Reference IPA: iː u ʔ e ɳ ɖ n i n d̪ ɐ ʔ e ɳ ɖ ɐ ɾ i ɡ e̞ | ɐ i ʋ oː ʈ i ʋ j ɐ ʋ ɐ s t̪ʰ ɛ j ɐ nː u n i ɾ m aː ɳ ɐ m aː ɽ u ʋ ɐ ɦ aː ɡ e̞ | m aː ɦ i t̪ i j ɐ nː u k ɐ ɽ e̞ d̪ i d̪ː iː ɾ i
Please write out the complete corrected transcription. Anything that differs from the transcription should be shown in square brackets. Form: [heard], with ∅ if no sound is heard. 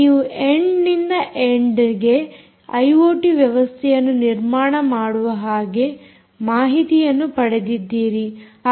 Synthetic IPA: iː u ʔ e ɳ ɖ n i n d̪ ɐ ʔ e ɳ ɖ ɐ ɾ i ɡ e̞ | ɐ [j] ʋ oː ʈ i ʋ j ɐ ʋ ɐ s t̪ʰ ɛ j ɐ nː u n i ɾ m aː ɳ ɐ m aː ɽ u ʋ ɐ ɦ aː ɡ e̞ | m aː ɦ i t̪ i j ɐ nː u [p] ɐ ɽ e̞ d̪ i d̪ː iː ɾ i

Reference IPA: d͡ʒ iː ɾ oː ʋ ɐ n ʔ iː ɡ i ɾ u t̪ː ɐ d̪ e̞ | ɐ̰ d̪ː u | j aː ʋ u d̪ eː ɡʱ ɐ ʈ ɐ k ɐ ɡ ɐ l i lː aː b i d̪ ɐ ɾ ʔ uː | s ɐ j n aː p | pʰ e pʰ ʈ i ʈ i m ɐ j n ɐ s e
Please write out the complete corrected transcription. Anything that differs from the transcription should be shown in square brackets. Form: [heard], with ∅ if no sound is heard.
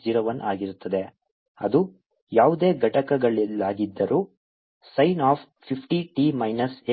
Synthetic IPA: d͡ʒ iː ɾ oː ʋ ɐ n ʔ [aː] ɡ i ɾ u t̪ː ɐ d̪ e̞ | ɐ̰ [d̪] u | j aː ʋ u d̪ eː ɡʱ ɐ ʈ ɐ k ɐ ɡ ɐ [ɭ] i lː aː [ɡ] i [d̪ː] ɐ ɾ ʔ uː | s ɐ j n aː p | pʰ [i] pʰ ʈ i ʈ i m ɐ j n ɐ s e

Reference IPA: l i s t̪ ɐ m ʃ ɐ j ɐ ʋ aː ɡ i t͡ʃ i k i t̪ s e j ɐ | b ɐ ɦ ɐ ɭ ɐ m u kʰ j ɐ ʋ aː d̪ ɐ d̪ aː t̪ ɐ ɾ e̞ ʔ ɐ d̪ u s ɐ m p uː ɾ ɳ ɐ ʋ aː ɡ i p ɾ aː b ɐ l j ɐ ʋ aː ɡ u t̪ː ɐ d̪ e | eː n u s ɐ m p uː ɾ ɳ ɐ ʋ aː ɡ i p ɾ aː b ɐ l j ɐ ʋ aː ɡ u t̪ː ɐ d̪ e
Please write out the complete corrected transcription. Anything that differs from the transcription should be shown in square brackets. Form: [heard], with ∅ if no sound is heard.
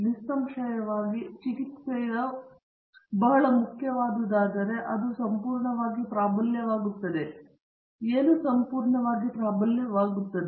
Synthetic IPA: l i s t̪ ɐ m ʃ ɐ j ɐ ʋ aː ɡ i t͡ʃ i k i t̪ s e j ɐ | b ɐ ɦ ɐ ɭ ɐ m u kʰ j ɐ ʋ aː d̪ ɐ d̪ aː [d̪] ɐ ɾ e̞ ʔ ɐ d̪ u s ɐ m p uː ɾ ɳ ɐ ʋ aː ɡ i p ɾ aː b ɐ l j ɐ ʋ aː ɡ u t̪ː ɐ d̪ e | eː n u s ɐ m p uː ɾ ɳ ɐ ʋ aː ɡ i p ɾ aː b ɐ l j ɐ ʋ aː ɡ u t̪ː ɐ d̪ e

